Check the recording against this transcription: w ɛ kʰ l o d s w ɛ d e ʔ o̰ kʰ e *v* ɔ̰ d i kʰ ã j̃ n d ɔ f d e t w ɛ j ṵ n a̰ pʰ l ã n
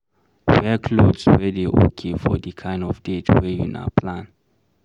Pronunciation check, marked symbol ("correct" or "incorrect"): incorrect